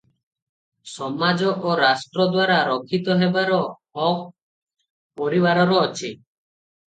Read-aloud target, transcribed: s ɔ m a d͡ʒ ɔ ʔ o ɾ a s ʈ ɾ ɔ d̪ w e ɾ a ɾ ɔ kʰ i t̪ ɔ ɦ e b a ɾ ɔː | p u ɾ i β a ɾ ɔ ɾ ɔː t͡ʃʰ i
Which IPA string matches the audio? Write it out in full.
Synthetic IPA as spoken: s ɔ m a d͡ʒ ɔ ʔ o ɾ a s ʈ ɾ ɔ d̪ w a ɾ a ɾ ɔ kʰ i t̪ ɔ ɦ e b a ɾ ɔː | p ɔ ɾ i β a ɾ ɔ ɾ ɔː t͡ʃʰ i